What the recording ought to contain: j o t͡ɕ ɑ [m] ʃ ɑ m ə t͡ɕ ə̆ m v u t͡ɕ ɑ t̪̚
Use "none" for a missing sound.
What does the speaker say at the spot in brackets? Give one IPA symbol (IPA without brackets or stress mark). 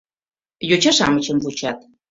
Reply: none